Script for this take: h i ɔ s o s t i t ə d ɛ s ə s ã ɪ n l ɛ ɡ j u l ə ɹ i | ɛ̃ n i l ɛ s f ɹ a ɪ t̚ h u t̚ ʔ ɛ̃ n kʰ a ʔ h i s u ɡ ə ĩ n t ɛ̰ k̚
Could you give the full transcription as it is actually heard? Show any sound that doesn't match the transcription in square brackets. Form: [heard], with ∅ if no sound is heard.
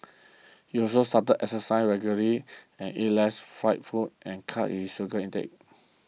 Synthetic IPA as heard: h i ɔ s o s t [a] t ə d ɛ s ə s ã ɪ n [ɹ] ɛ ɡ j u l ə ɹ i | ɛ̃ n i l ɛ s f ɹ a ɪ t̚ [f] u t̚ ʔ ɛ̃ n kʰ a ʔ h i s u ɡ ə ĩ n t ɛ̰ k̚